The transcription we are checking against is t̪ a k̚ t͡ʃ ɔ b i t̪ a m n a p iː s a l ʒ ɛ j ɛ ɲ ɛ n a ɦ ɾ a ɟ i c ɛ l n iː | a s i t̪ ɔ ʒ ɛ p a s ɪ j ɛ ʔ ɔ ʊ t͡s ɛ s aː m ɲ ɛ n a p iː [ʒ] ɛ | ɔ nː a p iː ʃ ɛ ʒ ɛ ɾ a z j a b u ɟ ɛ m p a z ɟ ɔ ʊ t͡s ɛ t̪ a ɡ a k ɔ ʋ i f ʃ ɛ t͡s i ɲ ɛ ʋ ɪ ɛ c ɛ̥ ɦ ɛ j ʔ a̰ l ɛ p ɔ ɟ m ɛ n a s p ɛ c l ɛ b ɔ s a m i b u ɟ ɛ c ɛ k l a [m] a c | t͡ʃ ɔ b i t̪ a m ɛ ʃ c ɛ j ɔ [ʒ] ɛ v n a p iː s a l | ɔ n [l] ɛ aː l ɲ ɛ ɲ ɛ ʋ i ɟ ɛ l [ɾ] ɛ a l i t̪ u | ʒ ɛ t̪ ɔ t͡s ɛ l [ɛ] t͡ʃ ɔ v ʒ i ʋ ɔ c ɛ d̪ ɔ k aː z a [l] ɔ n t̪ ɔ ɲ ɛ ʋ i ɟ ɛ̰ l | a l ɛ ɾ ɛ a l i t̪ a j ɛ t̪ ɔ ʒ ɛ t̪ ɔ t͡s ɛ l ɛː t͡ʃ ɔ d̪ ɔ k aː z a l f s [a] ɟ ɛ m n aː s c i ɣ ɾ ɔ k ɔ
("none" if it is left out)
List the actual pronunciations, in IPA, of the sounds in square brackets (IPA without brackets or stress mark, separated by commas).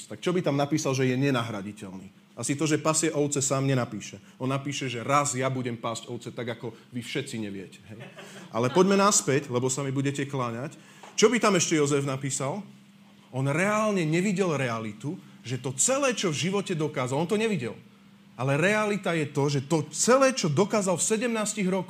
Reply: ʃ, ɲ, z, ɾ, ɾ, ɛː, l, ɛ